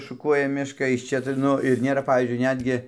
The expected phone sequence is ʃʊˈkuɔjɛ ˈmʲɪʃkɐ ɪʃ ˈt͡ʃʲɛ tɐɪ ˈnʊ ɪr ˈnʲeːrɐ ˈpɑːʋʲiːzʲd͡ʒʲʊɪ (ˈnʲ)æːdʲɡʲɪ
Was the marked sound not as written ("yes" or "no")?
no